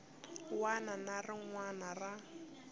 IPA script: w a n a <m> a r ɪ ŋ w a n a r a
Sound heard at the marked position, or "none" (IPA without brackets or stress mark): n